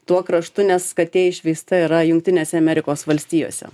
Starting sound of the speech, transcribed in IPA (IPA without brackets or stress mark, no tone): t̪